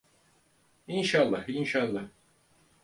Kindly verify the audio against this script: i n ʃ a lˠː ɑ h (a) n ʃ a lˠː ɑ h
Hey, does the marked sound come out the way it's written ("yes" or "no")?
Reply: no